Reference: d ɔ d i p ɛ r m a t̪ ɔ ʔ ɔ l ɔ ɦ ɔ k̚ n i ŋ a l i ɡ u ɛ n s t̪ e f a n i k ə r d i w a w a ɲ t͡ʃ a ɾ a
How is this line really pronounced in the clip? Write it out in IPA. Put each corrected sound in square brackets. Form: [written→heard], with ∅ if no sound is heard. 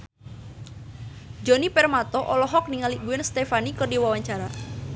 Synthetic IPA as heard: [d→d͡ʒ] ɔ [d→n] i p ɛ r m a t̪ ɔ ʔ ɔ l ɔ ɦ ɔ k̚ n i ŋ a l i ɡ u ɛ n s t̪ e f a n i k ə r d i w a w a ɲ t͡ʃ a ɾ a